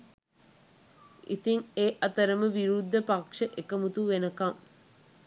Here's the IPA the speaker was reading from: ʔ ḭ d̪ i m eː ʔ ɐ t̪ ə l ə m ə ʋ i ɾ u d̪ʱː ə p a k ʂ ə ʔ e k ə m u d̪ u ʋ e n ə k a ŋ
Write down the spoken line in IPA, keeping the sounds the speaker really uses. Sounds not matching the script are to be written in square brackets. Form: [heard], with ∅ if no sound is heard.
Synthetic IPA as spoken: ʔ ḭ [t̪] i [ŋ] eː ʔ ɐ t̪ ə [ɾ] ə m ə ʋ i ɾ u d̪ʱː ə p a k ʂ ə ʔ e k ə m u [t̪] u ʋ e n ə k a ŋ